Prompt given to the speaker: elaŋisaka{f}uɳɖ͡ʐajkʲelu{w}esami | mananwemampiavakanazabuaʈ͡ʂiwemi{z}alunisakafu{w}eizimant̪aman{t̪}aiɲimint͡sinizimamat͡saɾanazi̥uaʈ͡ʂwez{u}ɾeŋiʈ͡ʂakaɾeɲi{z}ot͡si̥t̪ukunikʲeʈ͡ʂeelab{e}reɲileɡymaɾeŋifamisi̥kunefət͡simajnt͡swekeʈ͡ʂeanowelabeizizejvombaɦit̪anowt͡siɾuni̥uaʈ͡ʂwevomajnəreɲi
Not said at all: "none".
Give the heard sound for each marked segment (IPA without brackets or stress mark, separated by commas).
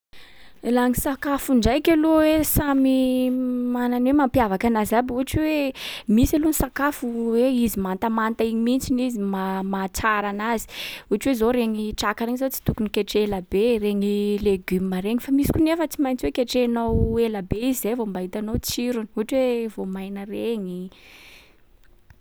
f, w, s, w, t̪, o, z, e